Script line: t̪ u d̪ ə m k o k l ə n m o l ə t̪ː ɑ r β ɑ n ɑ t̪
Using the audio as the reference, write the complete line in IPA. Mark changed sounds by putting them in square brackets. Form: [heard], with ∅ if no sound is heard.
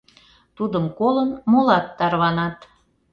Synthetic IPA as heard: t̪ u d̪ ə m k o [∅] l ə n m o l [ɑ] t̪ː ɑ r β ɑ n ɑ t̪